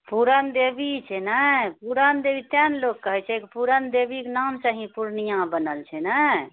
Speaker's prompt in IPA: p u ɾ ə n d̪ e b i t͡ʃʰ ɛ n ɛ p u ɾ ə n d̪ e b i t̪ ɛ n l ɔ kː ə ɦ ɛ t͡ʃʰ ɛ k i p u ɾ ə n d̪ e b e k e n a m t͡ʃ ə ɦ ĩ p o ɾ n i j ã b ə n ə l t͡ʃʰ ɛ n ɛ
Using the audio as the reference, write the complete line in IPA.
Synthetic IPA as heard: p u ɾ ə n d̪ e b i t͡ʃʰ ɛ n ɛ p u ɾ ə n d̪ e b i t̪ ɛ n l o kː ə ɦ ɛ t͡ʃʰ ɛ k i p u ɾ ə n d̪ e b i k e n a m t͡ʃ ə ɦ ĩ p u ɾ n i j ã b ə n ə l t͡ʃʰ ɛ n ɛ